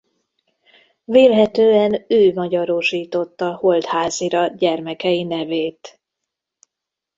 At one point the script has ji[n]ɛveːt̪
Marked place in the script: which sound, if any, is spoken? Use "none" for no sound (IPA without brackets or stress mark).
n